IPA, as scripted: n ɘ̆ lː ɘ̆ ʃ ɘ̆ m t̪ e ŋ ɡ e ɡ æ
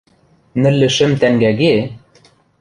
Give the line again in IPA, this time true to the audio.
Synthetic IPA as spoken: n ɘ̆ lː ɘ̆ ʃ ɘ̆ m t̪ æ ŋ ɡ æ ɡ e